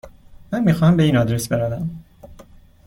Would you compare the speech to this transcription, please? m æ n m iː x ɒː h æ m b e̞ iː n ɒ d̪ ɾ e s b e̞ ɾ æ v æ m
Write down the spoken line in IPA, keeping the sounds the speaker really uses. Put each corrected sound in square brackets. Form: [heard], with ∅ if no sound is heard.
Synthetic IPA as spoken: m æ n m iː x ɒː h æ m b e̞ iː n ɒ d̪ ɾ e s b e̞ ɾ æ v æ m